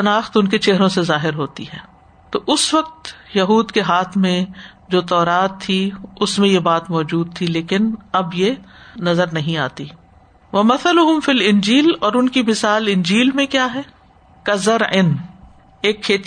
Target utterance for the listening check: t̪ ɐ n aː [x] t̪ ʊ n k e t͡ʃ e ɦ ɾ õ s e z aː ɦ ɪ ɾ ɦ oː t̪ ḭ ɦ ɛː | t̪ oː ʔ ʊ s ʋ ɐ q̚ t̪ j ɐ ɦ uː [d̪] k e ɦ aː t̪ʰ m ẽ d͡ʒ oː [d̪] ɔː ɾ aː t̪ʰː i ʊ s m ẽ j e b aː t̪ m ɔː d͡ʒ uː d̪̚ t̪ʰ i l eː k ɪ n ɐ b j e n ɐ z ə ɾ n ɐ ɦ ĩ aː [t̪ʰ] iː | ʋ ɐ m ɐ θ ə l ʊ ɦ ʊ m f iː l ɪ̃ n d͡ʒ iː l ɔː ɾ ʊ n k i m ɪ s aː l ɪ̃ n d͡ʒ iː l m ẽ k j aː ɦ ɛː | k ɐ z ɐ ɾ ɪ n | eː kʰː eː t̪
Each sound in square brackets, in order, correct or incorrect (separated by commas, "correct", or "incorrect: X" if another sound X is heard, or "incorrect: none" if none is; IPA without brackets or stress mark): correct, correct, incorrect: t̪, incorrect: t̪